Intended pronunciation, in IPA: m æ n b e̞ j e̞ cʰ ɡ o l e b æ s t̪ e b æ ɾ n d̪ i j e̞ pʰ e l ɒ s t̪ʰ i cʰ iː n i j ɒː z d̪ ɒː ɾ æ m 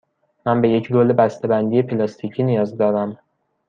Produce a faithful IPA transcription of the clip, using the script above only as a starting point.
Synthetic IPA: m æ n b e̞ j e̞ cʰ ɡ o l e b æ s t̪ e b æ n d̪ i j e̞ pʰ e l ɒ s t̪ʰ i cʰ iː n i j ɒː z d̪ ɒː ɾ æ m